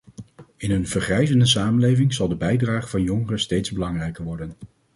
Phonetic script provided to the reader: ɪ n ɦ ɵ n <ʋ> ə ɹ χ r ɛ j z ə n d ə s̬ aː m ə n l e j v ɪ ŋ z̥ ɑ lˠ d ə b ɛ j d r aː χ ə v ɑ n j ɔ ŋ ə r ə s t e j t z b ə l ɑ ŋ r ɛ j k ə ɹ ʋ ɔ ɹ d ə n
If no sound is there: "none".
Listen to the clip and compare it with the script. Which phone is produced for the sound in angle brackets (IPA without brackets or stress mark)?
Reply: v